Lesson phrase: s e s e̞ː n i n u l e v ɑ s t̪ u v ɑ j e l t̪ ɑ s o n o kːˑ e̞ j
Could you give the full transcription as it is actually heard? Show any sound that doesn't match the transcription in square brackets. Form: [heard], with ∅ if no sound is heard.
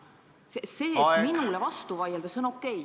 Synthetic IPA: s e s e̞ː [m] i n u l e v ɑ s t̪ u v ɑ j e l [d̪] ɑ s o n o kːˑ e̞ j

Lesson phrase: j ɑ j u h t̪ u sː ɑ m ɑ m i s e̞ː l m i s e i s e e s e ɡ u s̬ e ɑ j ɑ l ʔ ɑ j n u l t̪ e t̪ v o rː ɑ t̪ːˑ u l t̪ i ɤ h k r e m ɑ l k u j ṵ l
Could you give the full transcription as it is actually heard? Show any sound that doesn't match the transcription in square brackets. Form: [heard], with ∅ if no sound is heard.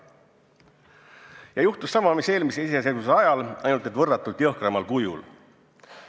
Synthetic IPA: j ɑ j u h t̪ u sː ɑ m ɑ m i s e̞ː l m i s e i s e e s e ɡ u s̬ e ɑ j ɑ l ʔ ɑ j n u l t̪ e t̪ v [ɤ] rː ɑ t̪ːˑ u l t̪ [j] ɤ h k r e m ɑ l k u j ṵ l

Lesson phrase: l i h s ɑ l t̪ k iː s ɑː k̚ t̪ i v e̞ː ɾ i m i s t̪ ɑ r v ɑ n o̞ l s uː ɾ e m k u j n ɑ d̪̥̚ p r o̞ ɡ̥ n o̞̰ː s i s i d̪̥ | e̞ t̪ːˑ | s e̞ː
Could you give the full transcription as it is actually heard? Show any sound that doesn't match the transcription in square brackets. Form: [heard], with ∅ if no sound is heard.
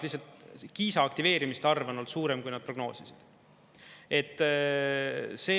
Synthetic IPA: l i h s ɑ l t̪ k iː s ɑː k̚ t̪ i v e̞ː ɾ i m i s t̪ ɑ r v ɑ n o̞ l s uː ɾ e m k u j n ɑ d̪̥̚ p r o̞ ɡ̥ n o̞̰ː s i s i d̪̥ | e̞ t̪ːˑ | s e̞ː

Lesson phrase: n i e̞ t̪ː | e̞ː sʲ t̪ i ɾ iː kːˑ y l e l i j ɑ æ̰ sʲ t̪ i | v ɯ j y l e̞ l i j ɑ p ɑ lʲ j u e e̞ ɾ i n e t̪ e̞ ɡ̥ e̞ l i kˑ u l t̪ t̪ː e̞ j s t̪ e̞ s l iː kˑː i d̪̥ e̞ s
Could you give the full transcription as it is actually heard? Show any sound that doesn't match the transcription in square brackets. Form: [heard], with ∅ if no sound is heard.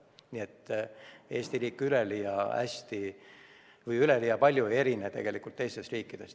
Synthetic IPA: n i e̞ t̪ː | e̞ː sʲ t̪ i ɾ iː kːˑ y l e l i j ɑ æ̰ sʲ t̪ i | v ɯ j y l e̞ l i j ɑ p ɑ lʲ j u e e̞ ɾ i n e t̪ e̞ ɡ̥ e̞ l i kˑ u l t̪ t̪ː e̞ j s t̪ e̞ s [r] iː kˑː i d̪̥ e̞ s

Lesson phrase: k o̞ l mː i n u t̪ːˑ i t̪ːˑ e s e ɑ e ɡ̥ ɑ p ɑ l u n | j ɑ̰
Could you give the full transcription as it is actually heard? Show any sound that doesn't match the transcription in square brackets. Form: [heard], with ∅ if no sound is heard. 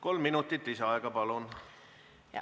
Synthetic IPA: k o̞ l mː i n u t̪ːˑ i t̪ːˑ [i] s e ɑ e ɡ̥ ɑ p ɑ l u n | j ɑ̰

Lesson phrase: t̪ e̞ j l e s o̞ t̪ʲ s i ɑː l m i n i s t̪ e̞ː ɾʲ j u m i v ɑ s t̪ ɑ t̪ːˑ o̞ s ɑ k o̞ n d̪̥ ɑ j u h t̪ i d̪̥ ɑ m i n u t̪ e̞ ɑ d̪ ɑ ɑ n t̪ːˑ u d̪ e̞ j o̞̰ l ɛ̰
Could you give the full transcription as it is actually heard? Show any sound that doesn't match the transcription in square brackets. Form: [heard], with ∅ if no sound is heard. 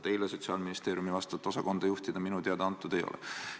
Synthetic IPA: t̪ e̞ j l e s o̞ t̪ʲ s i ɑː l m i n i s t̪ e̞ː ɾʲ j u m i v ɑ s t̪ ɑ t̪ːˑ o̞ s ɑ k o̞ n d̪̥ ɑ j u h t̪ i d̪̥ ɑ m i n u t̪ e̞ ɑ d̪ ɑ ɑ n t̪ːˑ u d̪ e̞ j o̞̰ l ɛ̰

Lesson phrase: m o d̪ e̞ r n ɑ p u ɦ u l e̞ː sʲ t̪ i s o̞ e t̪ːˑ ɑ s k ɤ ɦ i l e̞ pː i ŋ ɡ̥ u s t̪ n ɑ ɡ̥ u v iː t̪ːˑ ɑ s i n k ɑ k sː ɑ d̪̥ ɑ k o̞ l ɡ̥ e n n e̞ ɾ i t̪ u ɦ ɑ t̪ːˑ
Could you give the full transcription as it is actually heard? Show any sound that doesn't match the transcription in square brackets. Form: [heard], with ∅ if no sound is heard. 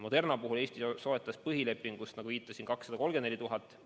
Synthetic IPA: m o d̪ e̞ r n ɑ p u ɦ u l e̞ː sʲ t̪ i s o̞ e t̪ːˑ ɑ s [p] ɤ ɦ i l e̞ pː i ŋ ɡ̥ u s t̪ n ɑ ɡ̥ u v iː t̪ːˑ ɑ s i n k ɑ k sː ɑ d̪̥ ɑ k o̞ l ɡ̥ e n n e̞ [l] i t̪ u ɦ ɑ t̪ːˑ

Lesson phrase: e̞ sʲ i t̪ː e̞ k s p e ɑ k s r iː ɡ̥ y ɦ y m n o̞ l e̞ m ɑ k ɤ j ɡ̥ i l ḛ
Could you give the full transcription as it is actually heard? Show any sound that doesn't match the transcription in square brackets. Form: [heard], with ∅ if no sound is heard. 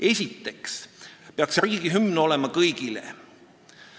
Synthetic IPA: e̞ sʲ i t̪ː e̞ k s p e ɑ k s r iː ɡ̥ [i] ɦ y m n o̞ l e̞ m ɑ k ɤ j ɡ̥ i l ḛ

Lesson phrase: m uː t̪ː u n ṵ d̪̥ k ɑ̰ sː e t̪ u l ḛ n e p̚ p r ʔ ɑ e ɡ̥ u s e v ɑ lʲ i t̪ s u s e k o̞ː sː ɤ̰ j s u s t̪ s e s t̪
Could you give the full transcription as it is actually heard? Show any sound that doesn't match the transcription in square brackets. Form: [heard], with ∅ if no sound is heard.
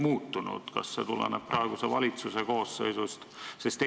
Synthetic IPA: m uː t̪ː u n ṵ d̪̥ k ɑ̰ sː e t̪ u l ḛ n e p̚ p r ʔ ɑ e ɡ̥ u s e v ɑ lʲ i t̪ s u s e k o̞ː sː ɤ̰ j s u s t̪ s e s t̪

